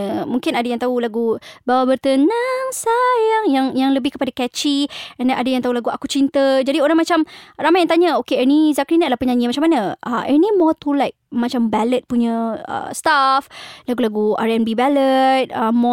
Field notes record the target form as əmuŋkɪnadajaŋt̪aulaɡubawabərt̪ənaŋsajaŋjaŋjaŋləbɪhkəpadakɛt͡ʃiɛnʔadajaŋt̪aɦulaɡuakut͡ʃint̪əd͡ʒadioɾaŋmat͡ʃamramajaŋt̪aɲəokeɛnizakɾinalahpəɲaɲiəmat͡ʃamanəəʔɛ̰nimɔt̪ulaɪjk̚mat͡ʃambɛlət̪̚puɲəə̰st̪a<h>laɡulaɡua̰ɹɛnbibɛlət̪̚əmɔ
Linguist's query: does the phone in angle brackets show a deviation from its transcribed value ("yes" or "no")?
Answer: yes